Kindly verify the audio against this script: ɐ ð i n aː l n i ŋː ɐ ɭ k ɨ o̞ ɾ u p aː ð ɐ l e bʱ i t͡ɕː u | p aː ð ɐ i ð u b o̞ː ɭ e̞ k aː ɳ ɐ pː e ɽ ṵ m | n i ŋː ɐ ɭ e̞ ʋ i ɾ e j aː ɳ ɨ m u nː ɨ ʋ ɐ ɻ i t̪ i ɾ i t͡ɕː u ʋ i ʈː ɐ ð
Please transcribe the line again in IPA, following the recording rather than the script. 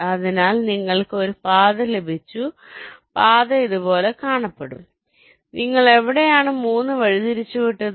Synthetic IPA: ɐ ð i n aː l n i ŋː ɐ ɭ k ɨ o̞ ɾ u p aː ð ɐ l e bʱ i t͡ɕː u | p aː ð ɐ i ð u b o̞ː l e̞ k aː ɳ ɐ pː e ɽ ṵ m | n i ŋː ɐ ɭ e̞ ʋ i ɽ e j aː ɳ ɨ m uː nː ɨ ʋ ɐ ɻ i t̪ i ɾ i t͡ɕː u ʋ i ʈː ɐ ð

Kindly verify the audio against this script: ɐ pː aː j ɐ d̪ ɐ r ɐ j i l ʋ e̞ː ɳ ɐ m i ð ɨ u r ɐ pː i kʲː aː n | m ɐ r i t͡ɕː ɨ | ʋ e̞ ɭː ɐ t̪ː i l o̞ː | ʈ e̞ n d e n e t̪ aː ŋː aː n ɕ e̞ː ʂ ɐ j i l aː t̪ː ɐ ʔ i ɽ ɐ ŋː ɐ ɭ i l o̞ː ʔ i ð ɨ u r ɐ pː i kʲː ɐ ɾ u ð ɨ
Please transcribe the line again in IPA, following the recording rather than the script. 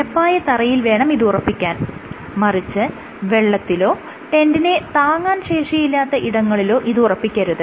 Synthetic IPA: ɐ pː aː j ɐ t̪ ɐ r ɐ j i l ʋ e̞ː ɳ ɐ m i ð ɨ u r ɐ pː i kʲː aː n | m ɐ r i t͡ɕː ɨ | ʋ e̞ ɭː ɐ t̪ː i l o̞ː | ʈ e̞ n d i n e t̪ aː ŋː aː n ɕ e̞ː ʂ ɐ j i lː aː t̪ː ɐ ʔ i ɽ ɐ ŋː ɐ ɭ i l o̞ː ʔ i ð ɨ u r ɐ pː i kʲː ɐ ɾ u ð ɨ

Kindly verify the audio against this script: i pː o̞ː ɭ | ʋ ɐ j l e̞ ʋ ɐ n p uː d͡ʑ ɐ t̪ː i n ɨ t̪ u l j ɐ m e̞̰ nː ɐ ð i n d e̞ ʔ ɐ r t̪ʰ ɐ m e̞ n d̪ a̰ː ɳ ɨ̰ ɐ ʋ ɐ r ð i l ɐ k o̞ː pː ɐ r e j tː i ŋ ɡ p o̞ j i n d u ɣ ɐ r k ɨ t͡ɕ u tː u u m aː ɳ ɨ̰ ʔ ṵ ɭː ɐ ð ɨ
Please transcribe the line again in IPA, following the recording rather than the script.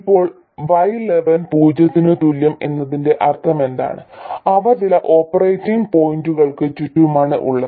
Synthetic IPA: i pː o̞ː ɭ | ʋ ɐ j l e̞ ʋ ɐ n p uː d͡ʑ ɐ t̪ː i n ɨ t̪ u l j ɐ m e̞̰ nː ɐ ð i n d e̞ ʔ ɐ r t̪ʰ ɐ m e̞ n d̪ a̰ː ɳ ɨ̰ ɐ ʋ ɐ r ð i l ɐ ʔ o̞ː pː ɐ r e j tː i ŋ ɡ p o̞ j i n d u ɣ ɐ ɭ k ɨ t͡ɕ u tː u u m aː ɳ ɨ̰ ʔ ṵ ɭː ɐ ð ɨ

